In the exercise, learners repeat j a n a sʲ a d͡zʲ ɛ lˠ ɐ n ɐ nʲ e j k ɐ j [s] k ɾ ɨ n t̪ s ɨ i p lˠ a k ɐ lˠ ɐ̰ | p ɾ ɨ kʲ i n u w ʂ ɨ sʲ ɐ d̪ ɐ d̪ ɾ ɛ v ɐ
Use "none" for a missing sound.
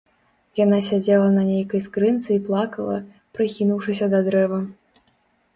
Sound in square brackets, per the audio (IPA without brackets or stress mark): s